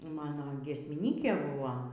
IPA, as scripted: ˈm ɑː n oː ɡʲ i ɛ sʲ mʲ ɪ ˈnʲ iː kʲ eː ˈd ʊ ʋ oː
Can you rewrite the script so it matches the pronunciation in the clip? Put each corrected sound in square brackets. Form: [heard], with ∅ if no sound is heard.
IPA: ˈm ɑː n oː ɡʲ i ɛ sʲ mʲ ɪ ˈnʲ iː kʲ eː [ˈb] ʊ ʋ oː